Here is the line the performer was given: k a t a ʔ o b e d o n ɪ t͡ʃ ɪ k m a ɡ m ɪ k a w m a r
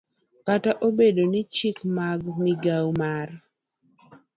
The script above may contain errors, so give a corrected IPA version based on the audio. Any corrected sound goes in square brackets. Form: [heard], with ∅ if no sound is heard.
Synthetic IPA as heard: k a t a ʔ o b e d o n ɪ t͡ʃ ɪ k m a ɡ m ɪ [ɡ] a w m a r